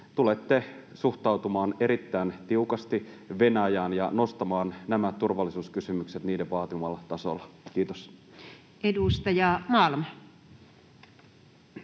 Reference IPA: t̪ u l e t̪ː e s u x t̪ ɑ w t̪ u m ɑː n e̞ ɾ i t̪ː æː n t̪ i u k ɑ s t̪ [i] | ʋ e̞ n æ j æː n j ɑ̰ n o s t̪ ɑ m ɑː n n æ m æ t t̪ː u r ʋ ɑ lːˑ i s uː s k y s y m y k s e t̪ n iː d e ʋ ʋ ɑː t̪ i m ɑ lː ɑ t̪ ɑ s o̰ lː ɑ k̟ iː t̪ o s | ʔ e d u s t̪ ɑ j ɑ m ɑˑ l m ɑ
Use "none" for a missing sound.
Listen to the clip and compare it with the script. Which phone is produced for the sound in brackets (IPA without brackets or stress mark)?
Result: i